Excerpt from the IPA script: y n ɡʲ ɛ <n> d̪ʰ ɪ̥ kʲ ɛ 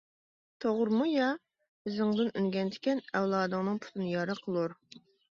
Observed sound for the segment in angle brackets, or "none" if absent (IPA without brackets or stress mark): n